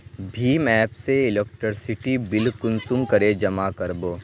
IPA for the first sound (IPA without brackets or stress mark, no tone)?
bʱ